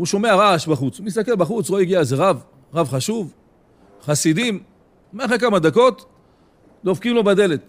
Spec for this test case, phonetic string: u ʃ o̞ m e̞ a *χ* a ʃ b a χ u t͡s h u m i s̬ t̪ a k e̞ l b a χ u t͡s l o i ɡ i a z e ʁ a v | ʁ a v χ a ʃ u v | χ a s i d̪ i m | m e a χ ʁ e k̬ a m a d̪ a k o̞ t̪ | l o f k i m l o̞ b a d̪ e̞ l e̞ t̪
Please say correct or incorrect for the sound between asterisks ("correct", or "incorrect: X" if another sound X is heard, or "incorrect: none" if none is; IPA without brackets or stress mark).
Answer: incorrect: ʁ